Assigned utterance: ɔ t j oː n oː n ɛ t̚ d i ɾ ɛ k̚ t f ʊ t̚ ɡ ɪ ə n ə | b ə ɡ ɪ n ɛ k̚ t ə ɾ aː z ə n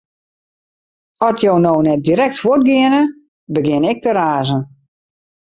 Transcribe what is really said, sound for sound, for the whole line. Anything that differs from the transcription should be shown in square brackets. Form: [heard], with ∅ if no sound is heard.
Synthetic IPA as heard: ɔ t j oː n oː n ɛ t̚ d i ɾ ɛ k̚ t f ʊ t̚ ɡ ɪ ə n ə | b ə ɡ ɪ n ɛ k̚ t ə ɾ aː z ə n